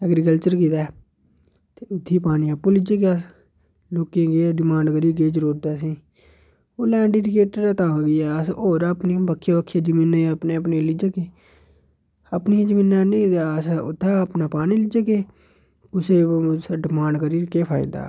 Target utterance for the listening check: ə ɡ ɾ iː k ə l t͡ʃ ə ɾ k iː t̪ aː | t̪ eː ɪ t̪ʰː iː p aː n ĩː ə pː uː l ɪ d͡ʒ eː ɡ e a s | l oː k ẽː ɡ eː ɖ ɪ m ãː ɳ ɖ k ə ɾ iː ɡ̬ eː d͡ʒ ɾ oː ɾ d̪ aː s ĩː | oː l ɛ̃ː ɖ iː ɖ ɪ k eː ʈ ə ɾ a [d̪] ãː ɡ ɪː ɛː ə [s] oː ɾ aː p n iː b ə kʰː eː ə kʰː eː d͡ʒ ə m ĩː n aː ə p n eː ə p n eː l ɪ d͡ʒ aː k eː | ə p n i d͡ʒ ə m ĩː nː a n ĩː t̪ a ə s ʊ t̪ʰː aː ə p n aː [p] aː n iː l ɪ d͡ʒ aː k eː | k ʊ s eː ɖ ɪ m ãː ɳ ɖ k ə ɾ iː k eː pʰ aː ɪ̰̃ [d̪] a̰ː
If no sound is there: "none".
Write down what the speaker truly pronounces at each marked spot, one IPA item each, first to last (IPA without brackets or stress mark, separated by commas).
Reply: t̪, s, p, d̪